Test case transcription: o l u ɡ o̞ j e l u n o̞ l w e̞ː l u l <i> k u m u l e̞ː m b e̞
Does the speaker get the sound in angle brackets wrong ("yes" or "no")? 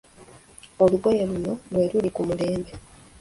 no